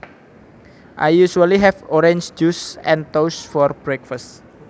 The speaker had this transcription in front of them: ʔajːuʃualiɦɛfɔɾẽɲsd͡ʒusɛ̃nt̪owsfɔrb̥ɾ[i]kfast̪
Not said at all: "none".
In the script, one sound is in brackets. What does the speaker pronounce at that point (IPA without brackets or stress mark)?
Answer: ɛ